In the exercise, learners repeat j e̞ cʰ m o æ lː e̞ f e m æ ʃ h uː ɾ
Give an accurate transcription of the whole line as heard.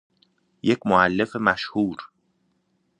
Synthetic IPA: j e̞ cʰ m o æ lː e̞ f e m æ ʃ h uː ɾ